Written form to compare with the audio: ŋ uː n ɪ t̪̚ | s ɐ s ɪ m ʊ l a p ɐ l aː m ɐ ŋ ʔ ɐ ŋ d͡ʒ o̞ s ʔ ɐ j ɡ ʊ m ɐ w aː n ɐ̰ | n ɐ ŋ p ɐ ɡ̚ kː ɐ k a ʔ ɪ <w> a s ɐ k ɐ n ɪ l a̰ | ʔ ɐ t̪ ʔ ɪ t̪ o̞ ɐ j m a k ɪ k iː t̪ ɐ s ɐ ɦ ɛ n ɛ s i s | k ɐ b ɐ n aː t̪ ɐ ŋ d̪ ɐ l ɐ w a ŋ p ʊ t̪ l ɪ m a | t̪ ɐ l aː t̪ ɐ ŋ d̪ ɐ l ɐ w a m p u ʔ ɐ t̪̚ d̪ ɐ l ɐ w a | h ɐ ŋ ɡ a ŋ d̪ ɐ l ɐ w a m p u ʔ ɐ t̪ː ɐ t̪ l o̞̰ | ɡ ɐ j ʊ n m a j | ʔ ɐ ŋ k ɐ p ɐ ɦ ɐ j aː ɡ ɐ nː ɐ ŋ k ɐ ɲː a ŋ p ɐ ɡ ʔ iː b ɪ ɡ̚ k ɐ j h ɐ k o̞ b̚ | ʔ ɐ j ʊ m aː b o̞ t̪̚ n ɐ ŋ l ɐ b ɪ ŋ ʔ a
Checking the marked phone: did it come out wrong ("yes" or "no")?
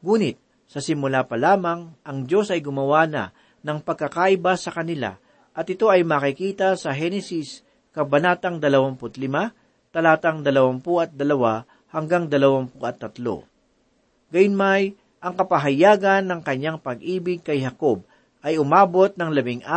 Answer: yes